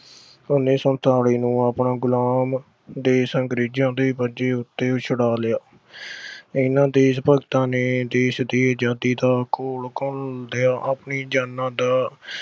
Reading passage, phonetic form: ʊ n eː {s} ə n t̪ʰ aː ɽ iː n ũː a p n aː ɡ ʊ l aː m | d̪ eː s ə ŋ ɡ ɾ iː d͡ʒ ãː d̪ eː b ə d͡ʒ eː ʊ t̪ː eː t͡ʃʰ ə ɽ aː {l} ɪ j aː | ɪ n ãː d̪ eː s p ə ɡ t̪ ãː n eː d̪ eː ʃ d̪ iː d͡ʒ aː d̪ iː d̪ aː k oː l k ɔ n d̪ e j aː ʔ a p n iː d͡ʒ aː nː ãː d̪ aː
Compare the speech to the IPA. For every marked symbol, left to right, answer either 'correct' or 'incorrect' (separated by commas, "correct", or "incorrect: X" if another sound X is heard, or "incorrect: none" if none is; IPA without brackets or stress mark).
correct, correct